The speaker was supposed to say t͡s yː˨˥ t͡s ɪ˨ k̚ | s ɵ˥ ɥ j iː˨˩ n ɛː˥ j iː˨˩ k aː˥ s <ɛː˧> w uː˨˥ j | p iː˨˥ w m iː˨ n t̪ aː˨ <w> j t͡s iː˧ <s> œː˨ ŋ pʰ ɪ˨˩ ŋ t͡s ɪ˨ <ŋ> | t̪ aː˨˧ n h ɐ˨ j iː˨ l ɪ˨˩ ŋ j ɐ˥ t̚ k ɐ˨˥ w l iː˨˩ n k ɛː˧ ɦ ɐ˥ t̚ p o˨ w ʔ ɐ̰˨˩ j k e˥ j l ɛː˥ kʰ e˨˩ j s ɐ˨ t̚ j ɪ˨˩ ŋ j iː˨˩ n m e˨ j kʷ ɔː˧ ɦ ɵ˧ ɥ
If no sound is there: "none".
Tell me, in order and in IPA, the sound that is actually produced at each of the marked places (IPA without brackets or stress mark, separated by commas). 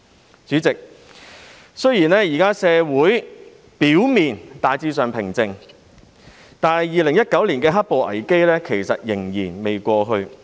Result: ɛː˧, none, s, ŋ